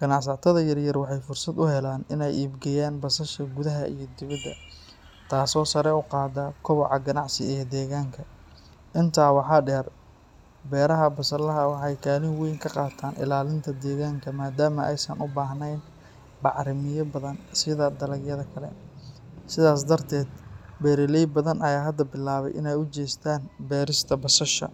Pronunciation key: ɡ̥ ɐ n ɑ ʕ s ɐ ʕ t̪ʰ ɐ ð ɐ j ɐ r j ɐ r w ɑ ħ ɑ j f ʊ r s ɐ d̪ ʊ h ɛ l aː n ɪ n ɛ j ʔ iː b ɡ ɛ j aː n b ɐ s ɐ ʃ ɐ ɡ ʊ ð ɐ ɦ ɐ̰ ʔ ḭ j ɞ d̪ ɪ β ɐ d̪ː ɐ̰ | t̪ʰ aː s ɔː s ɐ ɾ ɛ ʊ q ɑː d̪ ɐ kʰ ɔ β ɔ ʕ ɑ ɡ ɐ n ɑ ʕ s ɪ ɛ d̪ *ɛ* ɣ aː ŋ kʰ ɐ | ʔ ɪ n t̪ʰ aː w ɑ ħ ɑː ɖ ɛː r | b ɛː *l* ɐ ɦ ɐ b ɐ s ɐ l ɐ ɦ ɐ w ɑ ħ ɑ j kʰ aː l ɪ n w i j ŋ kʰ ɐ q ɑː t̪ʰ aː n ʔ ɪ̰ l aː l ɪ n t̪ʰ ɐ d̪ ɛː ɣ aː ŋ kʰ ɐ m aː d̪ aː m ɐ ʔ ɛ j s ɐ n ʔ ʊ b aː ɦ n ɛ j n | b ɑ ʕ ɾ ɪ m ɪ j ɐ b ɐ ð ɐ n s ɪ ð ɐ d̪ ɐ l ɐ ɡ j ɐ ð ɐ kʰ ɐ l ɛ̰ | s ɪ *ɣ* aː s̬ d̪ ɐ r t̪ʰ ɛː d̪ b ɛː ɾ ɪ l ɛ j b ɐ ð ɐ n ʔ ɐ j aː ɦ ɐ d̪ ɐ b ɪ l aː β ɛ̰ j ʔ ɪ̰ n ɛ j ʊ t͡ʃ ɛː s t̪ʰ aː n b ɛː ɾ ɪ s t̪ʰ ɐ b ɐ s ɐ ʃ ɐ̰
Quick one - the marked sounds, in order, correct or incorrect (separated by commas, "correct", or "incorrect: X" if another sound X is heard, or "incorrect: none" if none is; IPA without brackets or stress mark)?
incorrect: ɛː, incorrect: ɾ, incorrect: ð